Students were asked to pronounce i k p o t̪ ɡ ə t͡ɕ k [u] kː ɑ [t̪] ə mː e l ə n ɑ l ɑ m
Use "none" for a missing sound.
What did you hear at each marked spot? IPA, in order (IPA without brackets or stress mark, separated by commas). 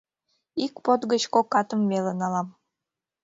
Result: o, t̪